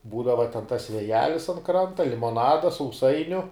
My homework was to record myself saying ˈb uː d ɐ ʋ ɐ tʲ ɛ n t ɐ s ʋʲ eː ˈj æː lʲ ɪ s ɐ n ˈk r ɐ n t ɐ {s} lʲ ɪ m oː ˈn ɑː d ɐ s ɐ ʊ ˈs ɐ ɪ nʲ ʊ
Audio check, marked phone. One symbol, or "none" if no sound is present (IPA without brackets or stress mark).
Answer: none